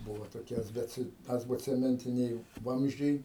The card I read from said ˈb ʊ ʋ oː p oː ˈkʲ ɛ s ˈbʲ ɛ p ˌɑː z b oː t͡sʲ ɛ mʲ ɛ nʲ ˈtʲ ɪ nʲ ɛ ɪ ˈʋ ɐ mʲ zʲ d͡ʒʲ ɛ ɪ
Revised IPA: ˈb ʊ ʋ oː t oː ˈkʲ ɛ s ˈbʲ ɛ t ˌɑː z b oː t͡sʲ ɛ mʲ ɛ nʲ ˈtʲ ɪ nʲ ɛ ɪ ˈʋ ɐ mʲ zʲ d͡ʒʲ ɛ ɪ